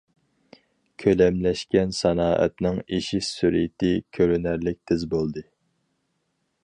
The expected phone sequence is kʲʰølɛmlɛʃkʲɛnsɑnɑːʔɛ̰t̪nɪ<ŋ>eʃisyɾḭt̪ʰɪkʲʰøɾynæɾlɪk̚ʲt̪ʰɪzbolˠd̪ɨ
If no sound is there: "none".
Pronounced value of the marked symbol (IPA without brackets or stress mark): ŋ